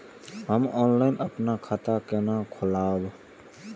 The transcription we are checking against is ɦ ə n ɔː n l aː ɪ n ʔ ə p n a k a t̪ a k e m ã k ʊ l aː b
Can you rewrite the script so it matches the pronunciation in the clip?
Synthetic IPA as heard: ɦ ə m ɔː n l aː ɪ n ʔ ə p n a kʰ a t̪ a k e n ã kʰ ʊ l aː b